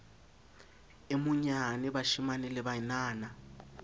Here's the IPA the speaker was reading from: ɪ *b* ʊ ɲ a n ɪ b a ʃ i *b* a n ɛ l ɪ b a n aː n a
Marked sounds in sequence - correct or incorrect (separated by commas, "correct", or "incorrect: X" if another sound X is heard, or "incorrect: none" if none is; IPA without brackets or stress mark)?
incorrect: m, incorrect: m